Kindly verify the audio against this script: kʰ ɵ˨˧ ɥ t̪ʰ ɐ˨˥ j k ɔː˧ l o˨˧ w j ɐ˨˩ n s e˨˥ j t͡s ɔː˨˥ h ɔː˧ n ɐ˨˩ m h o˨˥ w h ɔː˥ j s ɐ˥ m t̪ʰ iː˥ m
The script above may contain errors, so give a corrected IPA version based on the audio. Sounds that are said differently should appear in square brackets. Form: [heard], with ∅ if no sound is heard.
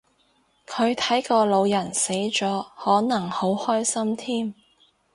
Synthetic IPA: kʰ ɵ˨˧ ɥ t̪ʰ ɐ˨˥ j k ɔː˧ l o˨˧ w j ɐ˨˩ n s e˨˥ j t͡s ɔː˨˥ h [ɔː˨˥] n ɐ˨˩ [ŋ] h o˨˥ w h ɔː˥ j s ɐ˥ m t̪ʰ iː˥ m